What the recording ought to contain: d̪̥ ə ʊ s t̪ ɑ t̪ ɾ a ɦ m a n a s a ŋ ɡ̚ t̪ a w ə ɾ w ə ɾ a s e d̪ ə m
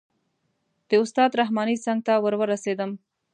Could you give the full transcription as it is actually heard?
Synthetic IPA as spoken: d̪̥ ə ʊ s t̪ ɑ d̪ ɾ a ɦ m ɑ n i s a ŋ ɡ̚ t̪ a w ə ɾ w ə ɾ a s e d̪ ə m